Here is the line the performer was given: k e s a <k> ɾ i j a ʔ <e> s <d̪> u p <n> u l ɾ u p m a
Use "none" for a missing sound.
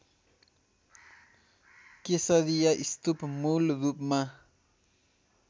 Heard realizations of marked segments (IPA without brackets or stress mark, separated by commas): none, i, t̪, m